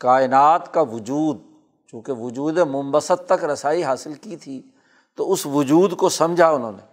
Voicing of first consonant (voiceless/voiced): voiceless